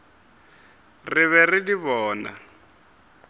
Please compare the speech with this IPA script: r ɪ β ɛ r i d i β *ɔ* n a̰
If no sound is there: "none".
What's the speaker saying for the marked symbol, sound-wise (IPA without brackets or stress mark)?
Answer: ɔː